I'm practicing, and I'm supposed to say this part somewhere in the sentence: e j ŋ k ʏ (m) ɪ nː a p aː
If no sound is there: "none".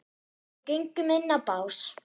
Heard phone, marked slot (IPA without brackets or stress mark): m